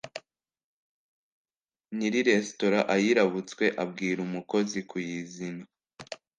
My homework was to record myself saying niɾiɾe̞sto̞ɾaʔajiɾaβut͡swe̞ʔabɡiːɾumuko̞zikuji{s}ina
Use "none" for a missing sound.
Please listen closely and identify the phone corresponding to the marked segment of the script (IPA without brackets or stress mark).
z